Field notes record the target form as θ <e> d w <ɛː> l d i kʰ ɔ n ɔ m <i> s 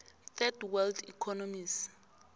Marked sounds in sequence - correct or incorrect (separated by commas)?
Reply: incorrect, incorrect, correct